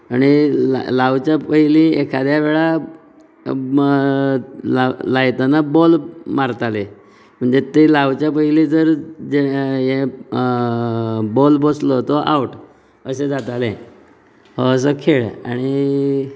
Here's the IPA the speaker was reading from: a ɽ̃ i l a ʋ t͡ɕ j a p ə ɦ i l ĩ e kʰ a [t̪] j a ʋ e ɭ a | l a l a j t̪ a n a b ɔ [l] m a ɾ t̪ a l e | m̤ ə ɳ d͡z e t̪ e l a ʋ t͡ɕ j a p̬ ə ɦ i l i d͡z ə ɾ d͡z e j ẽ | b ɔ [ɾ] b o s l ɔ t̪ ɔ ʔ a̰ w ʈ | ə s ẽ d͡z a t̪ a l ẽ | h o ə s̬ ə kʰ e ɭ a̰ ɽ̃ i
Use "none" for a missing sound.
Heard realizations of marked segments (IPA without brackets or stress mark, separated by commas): d̪, l, l